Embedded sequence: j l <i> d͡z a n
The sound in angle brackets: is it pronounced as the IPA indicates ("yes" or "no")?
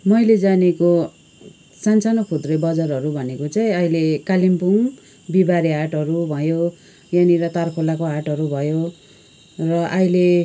no